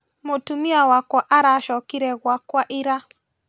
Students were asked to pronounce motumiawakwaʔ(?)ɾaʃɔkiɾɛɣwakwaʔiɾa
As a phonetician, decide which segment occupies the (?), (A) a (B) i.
A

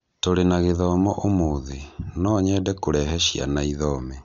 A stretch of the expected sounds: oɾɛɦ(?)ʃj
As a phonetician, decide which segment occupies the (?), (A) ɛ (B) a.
A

